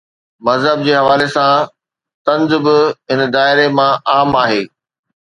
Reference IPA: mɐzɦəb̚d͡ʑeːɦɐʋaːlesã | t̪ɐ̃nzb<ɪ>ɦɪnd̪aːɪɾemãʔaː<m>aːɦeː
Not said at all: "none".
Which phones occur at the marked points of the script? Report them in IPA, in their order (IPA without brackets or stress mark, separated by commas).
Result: ɪ, m